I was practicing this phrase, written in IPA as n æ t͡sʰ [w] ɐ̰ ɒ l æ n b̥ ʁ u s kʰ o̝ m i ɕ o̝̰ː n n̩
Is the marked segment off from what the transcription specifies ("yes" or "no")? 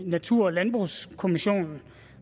yes